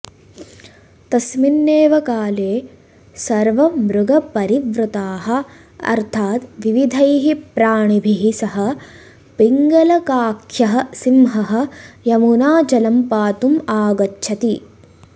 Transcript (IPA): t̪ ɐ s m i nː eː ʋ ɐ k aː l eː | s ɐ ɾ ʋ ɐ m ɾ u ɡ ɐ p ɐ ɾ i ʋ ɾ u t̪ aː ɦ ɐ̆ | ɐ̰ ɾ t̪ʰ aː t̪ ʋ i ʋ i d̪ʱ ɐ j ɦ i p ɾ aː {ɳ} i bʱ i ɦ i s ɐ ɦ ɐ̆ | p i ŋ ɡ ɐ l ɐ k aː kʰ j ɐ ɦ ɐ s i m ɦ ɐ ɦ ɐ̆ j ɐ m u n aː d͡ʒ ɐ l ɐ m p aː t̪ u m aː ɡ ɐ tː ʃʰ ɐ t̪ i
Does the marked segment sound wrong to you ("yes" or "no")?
no